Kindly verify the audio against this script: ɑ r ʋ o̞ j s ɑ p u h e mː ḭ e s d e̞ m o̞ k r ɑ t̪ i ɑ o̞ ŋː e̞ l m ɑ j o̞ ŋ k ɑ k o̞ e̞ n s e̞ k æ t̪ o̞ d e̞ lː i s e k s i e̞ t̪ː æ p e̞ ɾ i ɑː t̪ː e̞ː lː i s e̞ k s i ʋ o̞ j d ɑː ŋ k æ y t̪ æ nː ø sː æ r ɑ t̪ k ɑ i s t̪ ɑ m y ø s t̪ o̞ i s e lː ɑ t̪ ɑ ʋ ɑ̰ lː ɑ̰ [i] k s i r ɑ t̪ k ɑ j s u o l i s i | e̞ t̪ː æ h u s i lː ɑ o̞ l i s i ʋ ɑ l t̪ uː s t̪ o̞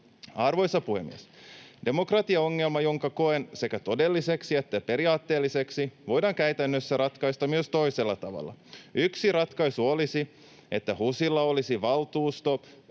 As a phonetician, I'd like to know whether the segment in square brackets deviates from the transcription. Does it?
yes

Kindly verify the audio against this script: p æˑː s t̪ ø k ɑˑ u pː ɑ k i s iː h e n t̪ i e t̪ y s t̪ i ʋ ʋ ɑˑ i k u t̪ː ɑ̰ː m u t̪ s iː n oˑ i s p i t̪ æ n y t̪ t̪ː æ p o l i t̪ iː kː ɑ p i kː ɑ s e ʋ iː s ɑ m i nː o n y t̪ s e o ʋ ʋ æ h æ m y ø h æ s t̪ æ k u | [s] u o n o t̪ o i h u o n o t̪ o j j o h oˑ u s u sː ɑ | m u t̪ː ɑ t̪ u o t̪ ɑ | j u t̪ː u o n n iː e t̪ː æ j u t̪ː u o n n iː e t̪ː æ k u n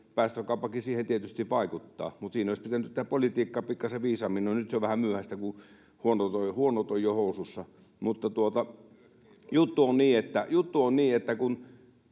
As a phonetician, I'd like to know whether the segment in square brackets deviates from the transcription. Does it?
yes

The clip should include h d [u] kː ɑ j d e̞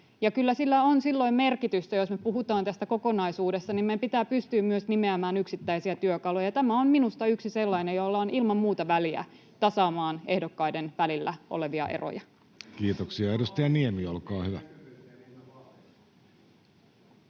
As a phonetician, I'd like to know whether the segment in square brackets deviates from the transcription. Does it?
yes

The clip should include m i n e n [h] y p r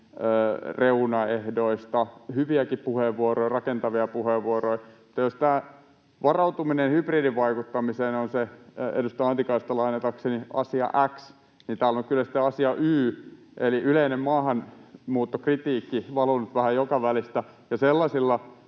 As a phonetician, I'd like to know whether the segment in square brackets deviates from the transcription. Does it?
no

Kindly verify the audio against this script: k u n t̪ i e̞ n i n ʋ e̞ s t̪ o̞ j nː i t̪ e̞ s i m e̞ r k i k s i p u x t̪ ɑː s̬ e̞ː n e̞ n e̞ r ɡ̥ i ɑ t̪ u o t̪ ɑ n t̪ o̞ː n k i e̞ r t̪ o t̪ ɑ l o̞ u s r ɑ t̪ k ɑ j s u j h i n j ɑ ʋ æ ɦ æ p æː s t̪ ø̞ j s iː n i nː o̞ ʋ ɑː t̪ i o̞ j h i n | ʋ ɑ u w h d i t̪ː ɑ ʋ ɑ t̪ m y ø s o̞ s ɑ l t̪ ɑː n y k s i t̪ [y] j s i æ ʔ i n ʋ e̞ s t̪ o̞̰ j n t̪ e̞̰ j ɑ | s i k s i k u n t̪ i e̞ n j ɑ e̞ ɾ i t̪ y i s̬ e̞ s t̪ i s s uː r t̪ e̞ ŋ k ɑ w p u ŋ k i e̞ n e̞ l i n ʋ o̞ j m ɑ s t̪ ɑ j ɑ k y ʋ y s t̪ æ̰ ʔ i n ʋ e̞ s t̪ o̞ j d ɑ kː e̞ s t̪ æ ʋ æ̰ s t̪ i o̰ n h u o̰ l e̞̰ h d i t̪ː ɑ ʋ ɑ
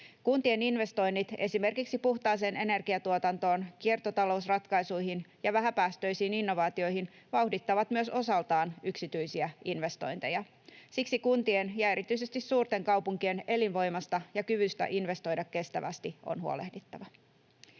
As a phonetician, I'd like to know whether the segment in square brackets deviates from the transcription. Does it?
no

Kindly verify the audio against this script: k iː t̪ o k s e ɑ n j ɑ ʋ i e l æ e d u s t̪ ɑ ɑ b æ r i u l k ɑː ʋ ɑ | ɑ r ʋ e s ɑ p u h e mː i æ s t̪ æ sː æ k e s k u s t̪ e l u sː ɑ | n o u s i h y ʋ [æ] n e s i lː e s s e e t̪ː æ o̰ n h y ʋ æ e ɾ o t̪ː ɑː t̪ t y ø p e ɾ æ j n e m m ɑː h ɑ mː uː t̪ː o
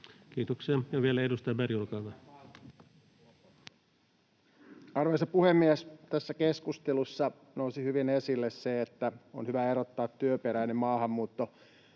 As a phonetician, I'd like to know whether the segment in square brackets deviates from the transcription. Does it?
yes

